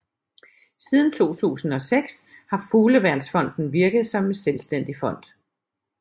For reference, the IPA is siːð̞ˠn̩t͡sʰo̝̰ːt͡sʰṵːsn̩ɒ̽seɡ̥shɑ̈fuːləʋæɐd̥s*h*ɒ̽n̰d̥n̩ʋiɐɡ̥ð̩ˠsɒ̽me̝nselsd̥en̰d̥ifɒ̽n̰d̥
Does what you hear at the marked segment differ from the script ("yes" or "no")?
yes